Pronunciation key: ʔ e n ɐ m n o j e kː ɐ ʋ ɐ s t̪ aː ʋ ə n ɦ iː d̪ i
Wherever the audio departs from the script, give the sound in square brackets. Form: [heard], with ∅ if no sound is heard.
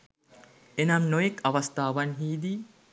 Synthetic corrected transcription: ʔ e n ɐ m n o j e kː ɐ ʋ ɐ s t̪ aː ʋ [ɐ] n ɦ iː d̪ i